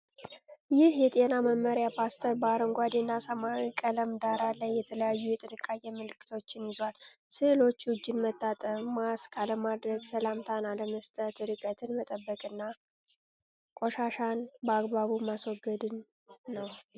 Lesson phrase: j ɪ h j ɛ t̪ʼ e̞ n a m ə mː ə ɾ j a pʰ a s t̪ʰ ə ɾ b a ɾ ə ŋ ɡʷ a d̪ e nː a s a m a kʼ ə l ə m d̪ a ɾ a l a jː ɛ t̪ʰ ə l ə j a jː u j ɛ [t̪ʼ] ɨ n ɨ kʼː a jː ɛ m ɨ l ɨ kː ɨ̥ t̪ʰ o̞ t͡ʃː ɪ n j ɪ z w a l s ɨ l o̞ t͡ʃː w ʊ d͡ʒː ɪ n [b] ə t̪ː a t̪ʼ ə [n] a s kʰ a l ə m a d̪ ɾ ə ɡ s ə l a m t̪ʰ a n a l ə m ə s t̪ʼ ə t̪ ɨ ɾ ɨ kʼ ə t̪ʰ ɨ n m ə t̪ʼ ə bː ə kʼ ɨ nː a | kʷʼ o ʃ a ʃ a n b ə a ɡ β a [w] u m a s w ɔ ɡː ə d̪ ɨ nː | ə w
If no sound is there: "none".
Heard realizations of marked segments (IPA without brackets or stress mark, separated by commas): t̪ʼ, m, m, β